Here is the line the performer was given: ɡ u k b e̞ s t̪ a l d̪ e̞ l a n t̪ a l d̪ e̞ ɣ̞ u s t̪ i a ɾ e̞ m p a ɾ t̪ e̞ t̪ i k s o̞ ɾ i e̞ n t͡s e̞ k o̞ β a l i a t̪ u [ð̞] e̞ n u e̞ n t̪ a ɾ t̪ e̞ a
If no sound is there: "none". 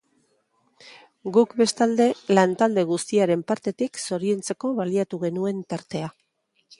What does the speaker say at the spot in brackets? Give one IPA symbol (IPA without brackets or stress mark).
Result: ɣ̞